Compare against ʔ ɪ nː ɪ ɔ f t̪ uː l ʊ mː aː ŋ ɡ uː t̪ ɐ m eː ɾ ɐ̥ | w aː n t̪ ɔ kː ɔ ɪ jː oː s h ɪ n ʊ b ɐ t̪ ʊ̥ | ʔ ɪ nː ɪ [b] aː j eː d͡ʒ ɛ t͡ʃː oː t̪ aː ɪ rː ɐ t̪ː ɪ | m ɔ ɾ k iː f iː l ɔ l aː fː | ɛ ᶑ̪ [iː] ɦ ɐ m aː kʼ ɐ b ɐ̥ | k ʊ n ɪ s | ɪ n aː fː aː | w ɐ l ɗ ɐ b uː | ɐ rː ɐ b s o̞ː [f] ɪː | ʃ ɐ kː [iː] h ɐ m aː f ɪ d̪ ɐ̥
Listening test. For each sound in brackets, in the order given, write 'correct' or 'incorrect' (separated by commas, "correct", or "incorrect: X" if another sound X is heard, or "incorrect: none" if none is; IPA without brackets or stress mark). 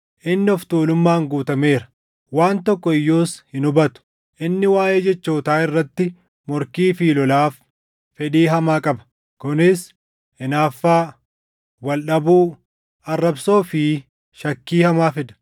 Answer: incorrect: w, correct, correct, correct